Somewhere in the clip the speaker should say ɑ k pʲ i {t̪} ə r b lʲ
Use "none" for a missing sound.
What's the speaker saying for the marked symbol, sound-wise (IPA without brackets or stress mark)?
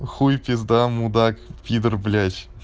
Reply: d̪